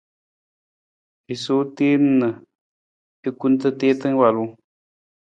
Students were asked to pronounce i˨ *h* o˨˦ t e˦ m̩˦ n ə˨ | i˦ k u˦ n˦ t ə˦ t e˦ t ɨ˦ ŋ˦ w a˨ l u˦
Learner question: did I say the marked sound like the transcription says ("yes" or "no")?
no